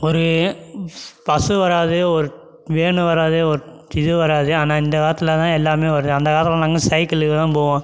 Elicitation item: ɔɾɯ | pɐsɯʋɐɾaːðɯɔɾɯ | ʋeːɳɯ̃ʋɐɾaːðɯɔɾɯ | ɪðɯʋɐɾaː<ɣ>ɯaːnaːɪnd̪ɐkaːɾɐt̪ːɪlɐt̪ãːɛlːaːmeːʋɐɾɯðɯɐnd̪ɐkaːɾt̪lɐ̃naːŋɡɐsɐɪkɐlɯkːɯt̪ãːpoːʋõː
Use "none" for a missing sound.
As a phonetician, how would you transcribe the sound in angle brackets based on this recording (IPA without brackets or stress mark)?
ð